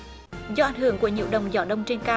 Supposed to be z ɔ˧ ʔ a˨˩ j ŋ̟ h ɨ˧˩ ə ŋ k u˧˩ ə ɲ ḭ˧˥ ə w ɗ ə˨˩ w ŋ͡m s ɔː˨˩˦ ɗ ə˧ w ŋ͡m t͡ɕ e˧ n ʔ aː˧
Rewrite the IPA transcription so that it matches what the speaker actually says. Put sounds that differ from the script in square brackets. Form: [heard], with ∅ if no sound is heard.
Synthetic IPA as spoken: z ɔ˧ ʔ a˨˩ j ŋ̟ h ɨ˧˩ ə ŋ k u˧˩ ə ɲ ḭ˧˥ ə w ɗ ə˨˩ w ŋ͡m [z] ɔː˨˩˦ ɗ ə˧ w ŋ͡m t͡ɕ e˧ n [k] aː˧